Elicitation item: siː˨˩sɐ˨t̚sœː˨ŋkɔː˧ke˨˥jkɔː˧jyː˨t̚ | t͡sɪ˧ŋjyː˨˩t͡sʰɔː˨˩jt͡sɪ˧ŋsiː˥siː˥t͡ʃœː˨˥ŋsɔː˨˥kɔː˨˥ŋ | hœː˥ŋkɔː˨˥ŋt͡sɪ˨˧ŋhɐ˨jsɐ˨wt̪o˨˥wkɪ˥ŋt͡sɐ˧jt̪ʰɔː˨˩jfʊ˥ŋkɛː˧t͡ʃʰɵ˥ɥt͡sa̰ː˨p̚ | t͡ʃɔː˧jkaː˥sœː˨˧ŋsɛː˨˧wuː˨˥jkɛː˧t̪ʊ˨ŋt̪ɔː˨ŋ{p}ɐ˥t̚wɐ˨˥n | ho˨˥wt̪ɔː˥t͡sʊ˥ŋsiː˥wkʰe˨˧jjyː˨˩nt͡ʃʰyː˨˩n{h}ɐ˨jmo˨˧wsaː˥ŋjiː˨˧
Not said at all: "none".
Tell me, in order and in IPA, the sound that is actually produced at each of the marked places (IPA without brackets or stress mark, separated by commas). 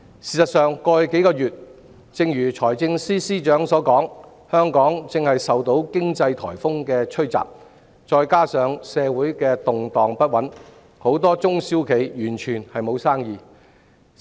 p, h